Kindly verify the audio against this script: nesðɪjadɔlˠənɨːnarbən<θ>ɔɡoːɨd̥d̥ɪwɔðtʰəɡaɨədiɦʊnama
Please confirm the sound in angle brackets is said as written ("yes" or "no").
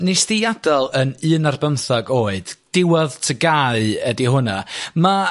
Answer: yes